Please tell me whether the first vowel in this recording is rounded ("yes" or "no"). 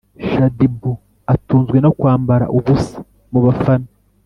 no